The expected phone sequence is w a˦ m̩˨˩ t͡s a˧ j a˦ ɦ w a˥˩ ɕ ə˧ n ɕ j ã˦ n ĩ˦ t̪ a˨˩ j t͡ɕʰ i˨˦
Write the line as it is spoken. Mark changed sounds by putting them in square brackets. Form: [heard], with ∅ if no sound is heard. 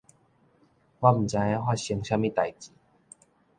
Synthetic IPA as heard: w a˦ m̩˨˩ t͡s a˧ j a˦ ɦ w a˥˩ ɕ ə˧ [ŋ] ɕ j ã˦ [m] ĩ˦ t̪ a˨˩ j [t͡ɕ] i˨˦